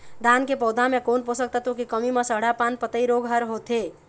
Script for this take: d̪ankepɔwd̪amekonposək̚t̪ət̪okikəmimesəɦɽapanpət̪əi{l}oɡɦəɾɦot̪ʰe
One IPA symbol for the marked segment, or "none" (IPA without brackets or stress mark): ɾ